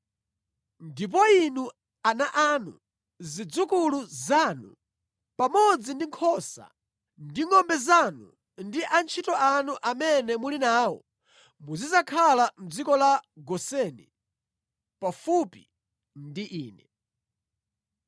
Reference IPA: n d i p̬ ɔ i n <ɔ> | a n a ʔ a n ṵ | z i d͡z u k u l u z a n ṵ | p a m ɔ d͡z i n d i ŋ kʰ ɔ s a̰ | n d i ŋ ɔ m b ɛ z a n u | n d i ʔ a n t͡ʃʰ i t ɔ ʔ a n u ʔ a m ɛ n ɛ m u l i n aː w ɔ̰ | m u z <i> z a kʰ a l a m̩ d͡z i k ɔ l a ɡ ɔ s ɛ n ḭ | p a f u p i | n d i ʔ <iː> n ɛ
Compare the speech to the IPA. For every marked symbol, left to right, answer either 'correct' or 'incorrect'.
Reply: incorrect, correct, correct

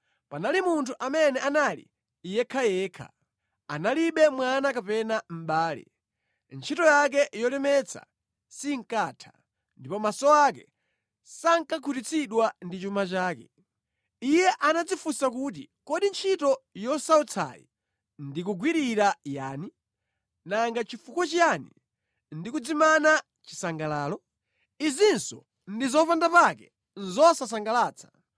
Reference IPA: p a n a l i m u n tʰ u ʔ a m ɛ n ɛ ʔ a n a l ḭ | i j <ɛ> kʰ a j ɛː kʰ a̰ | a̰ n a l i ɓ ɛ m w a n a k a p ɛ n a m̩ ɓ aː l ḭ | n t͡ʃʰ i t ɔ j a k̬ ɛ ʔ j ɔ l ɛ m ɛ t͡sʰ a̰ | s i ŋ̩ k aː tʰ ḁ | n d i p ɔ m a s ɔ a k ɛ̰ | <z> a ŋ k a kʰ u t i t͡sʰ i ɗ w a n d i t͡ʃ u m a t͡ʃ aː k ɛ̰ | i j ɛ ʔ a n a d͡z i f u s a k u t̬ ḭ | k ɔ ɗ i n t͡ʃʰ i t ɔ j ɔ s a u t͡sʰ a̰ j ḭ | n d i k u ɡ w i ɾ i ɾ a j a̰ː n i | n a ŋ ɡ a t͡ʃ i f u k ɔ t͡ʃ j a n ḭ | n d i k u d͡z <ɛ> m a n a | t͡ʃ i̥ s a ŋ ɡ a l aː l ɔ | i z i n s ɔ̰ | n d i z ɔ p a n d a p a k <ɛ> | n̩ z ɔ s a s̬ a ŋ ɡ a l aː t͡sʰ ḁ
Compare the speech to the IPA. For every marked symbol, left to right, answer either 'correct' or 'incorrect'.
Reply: correct, incorrect, incorrect, correct

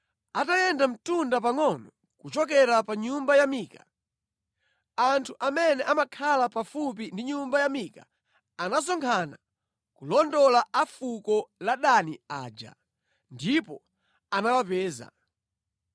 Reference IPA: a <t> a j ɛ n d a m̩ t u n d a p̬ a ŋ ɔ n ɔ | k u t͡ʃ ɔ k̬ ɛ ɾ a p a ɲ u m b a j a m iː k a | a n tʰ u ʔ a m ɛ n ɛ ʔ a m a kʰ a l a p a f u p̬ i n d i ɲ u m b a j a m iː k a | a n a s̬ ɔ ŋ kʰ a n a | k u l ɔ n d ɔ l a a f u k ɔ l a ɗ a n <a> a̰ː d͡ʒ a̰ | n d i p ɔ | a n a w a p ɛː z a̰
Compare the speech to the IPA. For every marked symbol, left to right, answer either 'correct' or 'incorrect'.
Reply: correct, incorrect

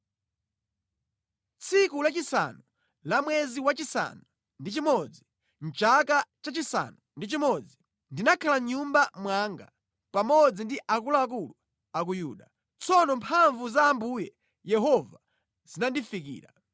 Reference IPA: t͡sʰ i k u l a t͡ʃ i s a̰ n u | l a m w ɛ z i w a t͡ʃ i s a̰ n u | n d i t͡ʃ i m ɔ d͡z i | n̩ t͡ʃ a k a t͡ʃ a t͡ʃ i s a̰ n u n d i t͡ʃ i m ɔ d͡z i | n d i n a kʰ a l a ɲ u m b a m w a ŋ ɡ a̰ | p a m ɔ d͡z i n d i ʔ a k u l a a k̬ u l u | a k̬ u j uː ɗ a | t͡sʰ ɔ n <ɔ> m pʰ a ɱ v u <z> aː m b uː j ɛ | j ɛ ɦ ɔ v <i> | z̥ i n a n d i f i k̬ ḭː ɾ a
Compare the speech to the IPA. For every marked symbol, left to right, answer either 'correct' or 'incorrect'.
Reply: correct, correct, incorrect

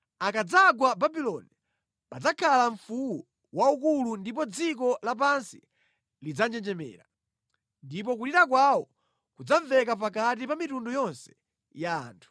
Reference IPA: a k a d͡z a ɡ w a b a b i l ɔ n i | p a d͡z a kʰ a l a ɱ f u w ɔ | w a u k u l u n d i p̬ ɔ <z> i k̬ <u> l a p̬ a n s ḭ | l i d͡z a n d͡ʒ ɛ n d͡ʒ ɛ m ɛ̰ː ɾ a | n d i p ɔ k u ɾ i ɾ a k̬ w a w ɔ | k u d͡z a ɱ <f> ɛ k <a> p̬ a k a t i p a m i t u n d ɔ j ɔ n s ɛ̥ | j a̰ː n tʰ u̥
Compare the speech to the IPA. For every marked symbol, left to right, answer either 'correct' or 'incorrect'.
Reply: incorrect, incorrect, incorrect, correct

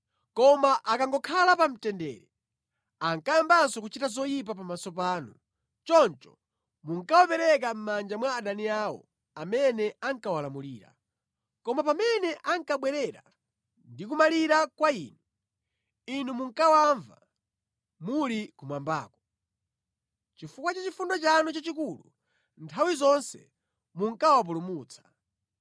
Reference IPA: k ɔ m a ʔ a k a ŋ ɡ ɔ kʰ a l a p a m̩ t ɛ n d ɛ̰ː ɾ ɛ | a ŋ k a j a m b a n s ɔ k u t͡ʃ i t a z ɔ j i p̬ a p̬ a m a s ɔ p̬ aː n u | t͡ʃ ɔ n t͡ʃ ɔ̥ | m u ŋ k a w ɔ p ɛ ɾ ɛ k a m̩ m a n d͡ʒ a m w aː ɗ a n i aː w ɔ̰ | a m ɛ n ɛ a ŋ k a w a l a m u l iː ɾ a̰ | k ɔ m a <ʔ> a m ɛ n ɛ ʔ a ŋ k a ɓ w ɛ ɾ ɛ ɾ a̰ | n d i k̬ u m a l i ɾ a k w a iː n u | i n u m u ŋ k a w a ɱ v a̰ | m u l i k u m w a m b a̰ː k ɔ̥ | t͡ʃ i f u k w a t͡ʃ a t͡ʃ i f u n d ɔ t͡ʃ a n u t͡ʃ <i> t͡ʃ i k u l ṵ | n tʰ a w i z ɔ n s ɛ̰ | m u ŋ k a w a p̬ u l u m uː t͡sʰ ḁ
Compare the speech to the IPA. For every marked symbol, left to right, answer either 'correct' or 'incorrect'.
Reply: incorrect, incorrect

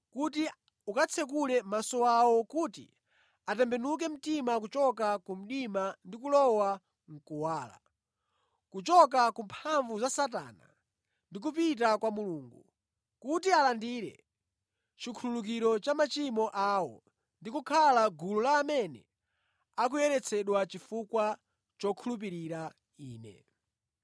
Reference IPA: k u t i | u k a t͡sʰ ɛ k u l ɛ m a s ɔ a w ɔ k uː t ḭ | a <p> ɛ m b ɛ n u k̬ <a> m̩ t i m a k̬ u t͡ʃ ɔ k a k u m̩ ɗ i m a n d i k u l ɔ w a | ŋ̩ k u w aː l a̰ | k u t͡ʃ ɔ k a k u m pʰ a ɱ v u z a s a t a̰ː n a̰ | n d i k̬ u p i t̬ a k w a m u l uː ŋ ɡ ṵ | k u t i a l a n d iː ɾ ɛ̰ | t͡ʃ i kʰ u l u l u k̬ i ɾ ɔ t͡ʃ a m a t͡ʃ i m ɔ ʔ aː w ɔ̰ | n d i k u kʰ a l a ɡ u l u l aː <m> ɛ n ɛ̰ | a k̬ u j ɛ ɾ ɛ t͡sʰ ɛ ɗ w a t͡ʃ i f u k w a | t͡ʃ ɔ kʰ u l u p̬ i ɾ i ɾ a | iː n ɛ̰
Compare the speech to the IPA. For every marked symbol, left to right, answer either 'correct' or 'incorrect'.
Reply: incorrect, incorrect, correct

